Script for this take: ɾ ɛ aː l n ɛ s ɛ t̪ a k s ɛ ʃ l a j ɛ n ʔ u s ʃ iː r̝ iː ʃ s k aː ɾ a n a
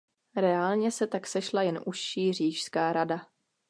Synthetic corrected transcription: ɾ ɛ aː l ɲ ɛ s ɛ t̪ a k s ɛ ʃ l a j ɛ n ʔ u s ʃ iː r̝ iː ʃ s k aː ɾ a d a